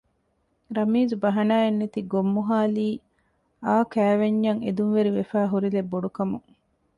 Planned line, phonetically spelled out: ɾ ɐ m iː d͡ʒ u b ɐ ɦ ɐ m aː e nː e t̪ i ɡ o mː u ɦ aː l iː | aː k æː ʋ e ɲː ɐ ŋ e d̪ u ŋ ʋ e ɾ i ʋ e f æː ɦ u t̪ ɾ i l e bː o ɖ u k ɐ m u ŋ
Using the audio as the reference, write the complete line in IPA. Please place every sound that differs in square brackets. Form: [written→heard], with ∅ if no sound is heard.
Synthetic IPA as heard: ɾ ɐ m iː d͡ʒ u b ɐ ɦ ɐ [m→n] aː e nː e t̪ i ɡ o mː u ɦ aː l iː | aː k æː ʋ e ɲː ɐ ŋ e d̪ u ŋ ʋ e ɾ i ʋ e f æː ɦ u [t̪→∅] ɾ i l e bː o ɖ u k ɐ m u ŋ

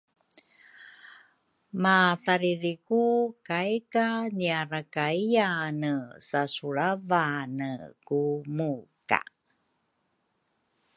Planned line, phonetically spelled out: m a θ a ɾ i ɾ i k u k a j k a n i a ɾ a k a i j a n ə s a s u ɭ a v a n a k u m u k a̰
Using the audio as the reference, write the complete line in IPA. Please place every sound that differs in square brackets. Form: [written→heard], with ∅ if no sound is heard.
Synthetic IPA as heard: m a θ a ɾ i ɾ i k u k a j k a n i a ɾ a k a i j a n ə s a s u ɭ a v a n [a→ə] k u m u k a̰

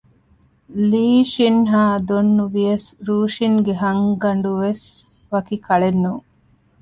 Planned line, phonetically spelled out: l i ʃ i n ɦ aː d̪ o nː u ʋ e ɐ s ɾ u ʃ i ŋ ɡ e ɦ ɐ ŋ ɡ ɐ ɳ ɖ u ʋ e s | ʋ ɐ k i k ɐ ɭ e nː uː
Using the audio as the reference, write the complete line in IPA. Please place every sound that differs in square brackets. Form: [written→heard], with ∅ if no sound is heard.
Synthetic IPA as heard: l [i→iː] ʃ i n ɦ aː d̪ o nː u ʋ [e→i] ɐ s ɾ [u→uː] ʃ i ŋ ɡ e ɦ ɐ ŋ ɡ ɐ ɳ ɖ u ʋ e s | ʋ ɐ k i k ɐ ɭ e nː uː

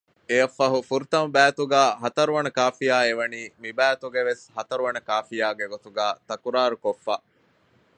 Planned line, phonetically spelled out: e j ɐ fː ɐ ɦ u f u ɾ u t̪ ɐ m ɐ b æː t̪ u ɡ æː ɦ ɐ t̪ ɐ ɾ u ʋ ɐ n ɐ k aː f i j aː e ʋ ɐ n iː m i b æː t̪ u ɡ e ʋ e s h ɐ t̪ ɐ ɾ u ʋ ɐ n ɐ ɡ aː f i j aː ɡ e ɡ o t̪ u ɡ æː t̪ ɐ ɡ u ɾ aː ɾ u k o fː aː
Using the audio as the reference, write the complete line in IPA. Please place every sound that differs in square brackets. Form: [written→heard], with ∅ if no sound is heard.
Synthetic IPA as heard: e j ɐ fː ɐ ɦ u f u ɾ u t̪ ɐ m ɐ b æː t̪ u ɡ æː ɦ ɐ t̪ ɐ ɾ u ʋ ɐ n ɐ k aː f i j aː e ʋ ɐ n iː m i b æː t̪ u ɡ e ʋ e s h ɐ t̪ ɐ ɾ u ʋ ɐ n ɐ [ɡ→k] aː f i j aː ɡ e ɡ o t̪ u ɡ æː t̪ ɐ [ɡ→k] u ɾ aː ɾ u k o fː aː

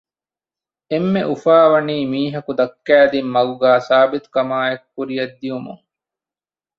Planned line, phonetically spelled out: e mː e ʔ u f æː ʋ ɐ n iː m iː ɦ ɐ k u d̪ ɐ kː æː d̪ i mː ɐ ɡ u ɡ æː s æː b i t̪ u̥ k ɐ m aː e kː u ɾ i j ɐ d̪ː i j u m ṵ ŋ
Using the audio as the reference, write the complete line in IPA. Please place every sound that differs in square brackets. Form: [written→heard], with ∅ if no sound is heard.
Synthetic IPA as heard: e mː e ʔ u f [æː→aː] ʋ ɐ n iː m iː ɦ ɐ k u d̪ ɐ kː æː d̪ i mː ɐ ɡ u ɡ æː s [æː→aː] b i t̪ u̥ k ɐ m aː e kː u ɾ i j ɐ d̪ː i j u m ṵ ŋ

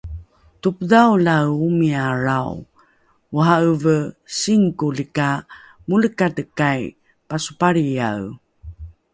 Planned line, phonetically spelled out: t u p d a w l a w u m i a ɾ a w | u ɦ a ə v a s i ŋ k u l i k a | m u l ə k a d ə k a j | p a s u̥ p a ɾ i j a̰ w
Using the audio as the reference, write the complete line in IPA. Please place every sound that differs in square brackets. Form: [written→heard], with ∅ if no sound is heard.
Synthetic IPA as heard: t u p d a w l a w u m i a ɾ a w | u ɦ a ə v [a→ə] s i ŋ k u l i k a | m u l ə k a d ə k a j | p a s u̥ p a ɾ i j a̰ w

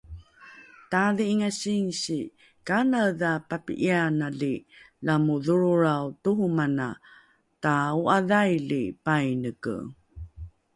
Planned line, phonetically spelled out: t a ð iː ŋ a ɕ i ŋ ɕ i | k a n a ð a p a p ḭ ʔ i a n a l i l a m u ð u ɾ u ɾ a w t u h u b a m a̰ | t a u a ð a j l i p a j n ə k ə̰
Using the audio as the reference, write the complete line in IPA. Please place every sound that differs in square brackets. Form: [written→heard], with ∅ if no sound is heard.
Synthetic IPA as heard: t a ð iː ŋ a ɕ i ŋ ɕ i | k a n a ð a p a p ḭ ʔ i a n a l i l a m u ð u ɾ u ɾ a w t u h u [b→m] a [m→n] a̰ | t a u a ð a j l i p a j n ə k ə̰

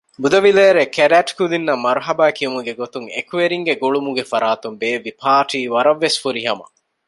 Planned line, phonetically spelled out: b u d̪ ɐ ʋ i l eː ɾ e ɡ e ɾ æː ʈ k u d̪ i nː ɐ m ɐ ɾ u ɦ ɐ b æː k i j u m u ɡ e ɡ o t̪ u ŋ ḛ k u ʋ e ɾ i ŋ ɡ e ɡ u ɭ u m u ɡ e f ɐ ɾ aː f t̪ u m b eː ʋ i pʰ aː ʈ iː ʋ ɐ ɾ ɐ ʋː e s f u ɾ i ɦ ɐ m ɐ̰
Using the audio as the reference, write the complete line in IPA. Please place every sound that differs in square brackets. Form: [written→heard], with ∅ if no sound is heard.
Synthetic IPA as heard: b u d̪ ɐ ʋ i l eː ɾ e [ɡ→k] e ɾ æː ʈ k u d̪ i nː ɐ m ɐ ɾ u ɦ ɐ b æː k i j u m u ɡ e ɡ o t̪ u ŋ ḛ k u ʋ e ɾ i ŋ ɡ e ɡ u ɭ u m u ɡ e f ɐ ɾ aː [f→∅] t̪ u m b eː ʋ i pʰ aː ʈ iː ʋ ɐ ɾ ɐ ʋː e s f u ɾ i ɦ ɐ m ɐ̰

